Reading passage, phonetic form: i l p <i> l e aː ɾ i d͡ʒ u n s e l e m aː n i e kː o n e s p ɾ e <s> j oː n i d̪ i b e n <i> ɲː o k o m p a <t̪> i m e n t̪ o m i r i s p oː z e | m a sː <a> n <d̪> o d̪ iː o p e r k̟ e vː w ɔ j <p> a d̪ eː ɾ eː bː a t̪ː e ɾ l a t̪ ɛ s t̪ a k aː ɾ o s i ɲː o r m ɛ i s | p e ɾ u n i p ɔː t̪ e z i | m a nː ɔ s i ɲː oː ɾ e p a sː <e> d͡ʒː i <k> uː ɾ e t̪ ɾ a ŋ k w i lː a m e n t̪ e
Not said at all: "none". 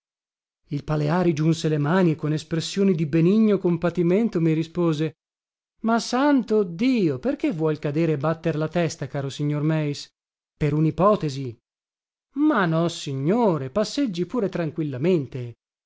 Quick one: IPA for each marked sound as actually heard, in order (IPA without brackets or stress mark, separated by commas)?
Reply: a, sː, i, t̪, a, t̪, k, e, p